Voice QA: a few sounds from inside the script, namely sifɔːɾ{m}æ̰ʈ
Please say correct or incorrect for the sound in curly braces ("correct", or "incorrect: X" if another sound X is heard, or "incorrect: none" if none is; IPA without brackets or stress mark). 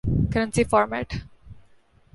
correct